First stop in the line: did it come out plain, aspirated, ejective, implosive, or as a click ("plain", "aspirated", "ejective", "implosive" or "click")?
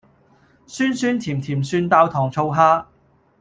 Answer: aspirated